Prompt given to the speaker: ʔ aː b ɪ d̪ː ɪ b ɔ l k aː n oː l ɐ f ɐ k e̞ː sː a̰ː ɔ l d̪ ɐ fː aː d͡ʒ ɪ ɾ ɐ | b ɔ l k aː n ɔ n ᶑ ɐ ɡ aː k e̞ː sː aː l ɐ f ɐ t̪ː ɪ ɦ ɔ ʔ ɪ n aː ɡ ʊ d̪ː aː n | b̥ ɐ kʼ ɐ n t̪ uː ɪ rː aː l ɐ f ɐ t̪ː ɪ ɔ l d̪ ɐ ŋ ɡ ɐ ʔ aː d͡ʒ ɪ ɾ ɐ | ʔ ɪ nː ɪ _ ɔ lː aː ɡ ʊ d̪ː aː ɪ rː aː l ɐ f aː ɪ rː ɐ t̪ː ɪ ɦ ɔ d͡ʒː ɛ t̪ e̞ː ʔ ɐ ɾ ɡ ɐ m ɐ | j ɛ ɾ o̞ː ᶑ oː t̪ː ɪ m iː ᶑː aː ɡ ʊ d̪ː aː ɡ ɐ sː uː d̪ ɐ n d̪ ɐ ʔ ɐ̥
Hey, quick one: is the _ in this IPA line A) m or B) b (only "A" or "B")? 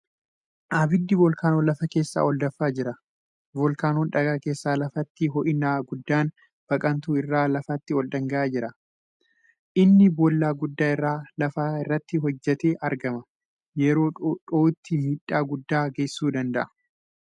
B